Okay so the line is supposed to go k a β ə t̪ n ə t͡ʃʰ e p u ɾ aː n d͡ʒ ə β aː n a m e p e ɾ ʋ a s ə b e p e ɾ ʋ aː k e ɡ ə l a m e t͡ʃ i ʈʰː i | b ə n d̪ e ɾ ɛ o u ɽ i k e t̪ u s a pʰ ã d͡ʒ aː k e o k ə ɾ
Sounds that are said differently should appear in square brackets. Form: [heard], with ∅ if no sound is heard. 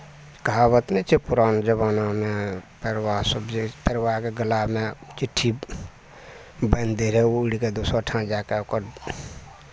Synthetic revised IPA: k a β ə t̪ n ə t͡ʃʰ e p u ɾ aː n d͡ʒ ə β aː n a m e p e ɾ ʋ a s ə b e p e ɾ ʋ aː k e ɡ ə l a m e t͡ʃ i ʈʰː i | b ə n d̪ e ɾ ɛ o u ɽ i k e [d̪] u s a [ʈʰ] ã d͡ʒ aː k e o k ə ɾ